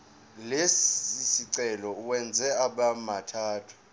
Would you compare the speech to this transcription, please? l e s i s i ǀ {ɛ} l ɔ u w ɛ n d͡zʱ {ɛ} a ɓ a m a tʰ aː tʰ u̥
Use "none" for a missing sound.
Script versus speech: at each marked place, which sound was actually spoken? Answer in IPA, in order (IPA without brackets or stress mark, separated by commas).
ɛ, ɛ